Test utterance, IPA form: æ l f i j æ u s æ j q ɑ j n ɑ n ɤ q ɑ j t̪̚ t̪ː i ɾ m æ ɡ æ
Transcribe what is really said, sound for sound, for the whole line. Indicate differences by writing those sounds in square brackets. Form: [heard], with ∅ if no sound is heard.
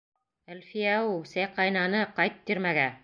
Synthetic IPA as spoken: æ l f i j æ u s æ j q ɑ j n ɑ n ɤ q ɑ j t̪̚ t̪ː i ɾ m æ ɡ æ